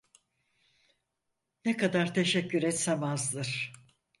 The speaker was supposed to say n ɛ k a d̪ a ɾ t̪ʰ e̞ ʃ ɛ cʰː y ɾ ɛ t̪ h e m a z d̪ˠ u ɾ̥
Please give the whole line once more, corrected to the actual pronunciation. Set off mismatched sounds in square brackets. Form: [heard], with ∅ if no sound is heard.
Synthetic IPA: n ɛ k a d̪ a ɾ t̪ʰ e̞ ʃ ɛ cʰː y ɾ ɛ t̪ [s] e m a z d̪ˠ [ɯ] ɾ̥